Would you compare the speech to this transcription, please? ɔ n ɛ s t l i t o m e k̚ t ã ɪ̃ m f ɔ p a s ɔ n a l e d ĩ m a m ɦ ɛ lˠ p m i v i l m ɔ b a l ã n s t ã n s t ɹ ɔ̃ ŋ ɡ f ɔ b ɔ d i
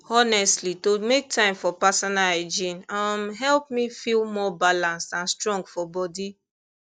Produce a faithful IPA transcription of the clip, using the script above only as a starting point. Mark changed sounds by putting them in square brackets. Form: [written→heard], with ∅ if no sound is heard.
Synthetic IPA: ɔ n ɛ s t l i t o m e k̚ t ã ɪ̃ m f ɔ p a s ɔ n a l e [d→d͡ʒ] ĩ [m→n] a m ɦ ɛ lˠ p m i [v→f] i l m ɔ b a l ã n s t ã n s t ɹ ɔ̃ ŋ ɡ f ɔ b ɔ d i